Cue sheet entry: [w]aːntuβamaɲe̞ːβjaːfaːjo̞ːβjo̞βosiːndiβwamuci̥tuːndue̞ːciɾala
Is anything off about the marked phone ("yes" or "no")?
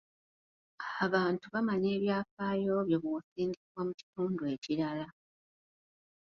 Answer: yes